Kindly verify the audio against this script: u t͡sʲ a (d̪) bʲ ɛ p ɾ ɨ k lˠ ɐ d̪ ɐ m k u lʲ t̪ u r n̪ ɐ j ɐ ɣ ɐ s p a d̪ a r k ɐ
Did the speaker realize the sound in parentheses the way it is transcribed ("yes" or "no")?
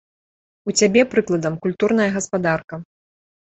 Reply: no